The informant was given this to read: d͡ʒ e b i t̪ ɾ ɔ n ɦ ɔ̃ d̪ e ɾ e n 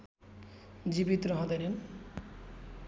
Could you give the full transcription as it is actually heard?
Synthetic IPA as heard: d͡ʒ i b i t̪ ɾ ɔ ɦ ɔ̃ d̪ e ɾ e n